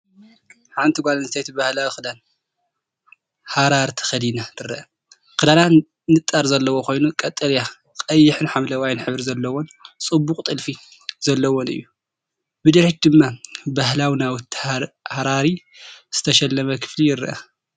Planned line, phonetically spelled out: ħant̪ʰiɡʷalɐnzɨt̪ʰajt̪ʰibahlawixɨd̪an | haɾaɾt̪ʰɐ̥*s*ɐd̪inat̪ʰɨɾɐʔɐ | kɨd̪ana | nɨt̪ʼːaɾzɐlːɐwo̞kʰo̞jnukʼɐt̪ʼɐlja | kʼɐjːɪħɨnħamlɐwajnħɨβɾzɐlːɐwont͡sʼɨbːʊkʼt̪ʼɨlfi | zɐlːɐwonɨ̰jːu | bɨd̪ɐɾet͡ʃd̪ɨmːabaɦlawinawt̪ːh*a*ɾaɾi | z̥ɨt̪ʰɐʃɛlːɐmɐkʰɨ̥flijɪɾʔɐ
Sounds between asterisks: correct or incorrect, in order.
incorrect: x, correct

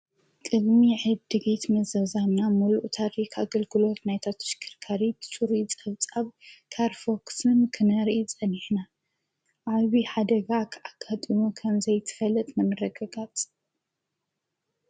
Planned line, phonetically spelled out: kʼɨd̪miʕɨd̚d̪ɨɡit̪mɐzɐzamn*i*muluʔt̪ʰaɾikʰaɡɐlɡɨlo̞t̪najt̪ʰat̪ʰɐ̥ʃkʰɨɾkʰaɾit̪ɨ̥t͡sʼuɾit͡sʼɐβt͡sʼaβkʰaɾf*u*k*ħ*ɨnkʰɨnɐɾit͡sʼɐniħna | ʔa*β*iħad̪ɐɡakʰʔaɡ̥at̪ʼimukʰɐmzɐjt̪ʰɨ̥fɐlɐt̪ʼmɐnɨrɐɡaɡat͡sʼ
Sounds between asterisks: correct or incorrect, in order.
incorrect: a, incorrect: o, incorrect: s, correct

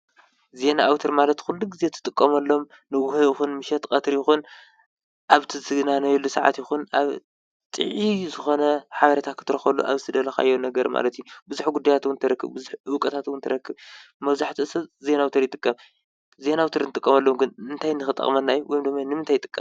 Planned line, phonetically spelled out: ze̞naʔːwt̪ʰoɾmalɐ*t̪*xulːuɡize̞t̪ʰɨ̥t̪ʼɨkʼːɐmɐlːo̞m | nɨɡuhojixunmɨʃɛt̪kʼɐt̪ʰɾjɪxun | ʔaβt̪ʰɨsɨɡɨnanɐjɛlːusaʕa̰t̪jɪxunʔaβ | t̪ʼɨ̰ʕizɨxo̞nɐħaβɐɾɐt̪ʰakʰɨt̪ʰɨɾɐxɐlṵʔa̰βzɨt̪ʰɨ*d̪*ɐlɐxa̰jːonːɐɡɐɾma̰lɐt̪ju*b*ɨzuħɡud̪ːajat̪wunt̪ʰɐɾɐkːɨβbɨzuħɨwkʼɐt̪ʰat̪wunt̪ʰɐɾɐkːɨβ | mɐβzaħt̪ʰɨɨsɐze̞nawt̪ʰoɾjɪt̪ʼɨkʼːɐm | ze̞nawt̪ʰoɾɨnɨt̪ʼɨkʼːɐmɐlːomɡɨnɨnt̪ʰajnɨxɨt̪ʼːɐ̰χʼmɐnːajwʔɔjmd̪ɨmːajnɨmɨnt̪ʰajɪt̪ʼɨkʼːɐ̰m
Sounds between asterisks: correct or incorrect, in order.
correct, correct, correct

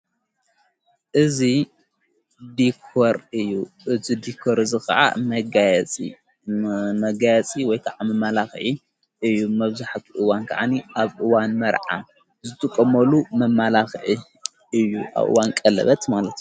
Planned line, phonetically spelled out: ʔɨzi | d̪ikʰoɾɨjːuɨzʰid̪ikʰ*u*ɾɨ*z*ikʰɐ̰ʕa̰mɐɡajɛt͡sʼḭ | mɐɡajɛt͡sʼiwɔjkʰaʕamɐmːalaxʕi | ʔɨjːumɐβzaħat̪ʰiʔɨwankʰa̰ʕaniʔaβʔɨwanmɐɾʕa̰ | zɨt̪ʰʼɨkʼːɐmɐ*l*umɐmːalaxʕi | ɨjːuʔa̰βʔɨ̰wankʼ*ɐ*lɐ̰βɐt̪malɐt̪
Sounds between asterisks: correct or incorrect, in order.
incorrect: o, correct, correct, correct

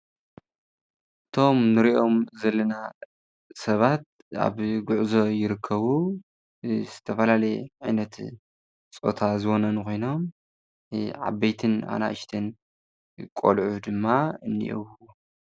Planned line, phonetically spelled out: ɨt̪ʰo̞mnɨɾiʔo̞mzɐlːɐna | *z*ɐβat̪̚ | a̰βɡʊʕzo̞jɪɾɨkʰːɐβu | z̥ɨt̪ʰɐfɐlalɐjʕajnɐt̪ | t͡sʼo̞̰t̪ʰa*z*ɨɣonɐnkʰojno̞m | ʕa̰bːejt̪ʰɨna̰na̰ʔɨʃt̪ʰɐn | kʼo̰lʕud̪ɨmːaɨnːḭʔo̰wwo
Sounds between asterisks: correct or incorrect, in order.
incorrect: s, correct

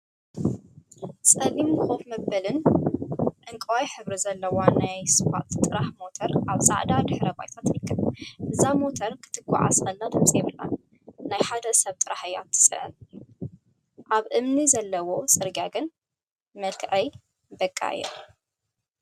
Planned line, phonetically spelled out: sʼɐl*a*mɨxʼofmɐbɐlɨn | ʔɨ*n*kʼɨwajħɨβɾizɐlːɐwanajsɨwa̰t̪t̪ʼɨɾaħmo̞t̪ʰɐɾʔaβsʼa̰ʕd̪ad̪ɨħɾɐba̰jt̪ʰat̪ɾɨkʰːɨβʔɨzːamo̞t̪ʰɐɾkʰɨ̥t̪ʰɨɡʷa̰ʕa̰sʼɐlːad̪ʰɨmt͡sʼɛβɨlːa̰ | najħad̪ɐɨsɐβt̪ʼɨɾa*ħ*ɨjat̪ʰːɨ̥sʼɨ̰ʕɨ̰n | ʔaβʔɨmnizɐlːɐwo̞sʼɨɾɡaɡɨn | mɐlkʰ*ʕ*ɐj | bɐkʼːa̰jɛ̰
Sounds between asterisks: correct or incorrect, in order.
incorrect: i, incorrect: ŋ, correct, correct

